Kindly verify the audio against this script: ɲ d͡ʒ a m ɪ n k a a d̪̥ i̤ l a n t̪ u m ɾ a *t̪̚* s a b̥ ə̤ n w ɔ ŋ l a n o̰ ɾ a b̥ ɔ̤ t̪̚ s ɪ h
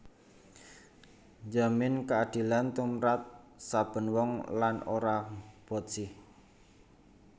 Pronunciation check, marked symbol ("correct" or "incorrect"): correct